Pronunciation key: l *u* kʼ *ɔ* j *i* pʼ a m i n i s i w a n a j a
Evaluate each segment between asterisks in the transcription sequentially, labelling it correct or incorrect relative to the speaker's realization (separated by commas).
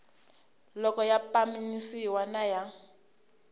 incorrect, correct, incorrect